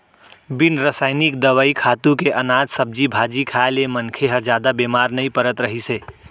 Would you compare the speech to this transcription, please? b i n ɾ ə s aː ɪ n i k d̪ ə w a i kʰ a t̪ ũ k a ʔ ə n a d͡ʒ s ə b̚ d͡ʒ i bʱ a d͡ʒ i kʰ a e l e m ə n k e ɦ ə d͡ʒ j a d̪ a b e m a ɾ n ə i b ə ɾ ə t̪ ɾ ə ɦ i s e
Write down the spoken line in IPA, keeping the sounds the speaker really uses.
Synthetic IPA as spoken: b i n ɾ ə s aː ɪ n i k d̪ ə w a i kʰ a t̪ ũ k e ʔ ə n a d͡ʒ s ə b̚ d͡ʒ i bʱ a d͡ʒ i kʰ a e l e m ə n kʰ e ɦ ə d͡ʒ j a d̪ a b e m a ɾ n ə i p ə ɾ ə t̪ ɾ ə ɦ i s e